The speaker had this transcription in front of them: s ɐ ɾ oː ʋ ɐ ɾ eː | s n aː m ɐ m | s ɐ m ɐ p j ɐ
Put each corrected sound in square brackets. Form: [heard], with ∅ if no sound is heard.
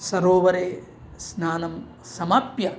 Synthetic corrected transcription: s ɐ ɾ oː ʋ ɐ ɾ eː | s n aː [n] ɐ m | s ɐ m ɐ p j ɐ